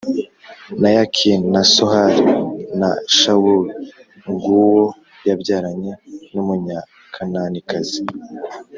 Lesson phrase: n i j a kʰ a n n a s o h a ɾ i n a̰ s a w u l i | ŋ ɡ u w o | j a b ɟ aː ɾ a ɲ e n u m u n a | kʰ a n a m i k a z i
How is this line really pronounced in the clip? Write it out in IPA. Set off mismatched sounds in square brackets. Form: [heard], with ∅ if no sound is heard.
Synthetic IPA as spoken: n [a] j a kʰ [i] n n a s o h a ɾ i n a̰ [ʃ] a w u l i | ŋ ɡ u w o | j a b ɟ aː ɾ a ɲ e n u m u [ɲ] a | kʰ a n a [n] i k a z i